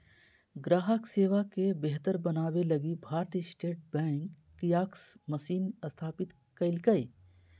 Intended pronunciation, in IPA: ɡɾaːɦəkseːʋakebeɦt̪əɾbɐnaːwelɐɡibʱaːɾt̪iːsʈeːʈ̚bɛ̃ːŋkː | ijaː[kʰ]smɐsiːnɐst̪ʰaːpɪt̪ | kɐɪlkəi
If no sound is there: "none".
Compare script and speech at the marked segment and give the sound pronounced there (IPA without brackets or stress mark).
k